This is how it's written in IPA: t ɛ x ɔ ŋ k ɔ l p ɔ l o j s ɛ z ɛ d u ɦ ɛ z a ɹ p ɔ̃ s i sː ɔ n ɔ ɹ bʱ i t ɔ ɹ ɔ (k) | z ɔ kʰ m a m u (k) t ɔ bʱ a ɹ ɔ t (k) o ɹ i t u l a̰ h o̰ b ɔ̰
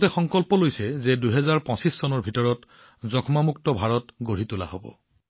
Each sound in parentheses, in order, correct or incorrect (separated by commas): incorrect, correct, incorrect